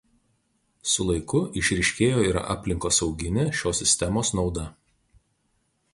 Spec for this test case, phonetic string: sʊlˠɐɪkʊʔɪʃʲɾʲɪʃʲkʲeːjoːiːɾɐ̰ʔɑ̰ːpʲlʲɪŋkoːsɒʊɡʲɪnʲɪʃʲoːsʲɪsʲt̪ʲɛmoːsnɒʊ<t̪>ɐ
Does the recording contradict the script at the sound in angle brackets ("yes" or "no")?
yes